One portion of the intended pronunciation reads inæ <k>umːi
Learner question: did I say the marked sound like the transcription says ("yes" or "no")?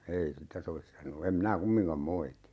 yes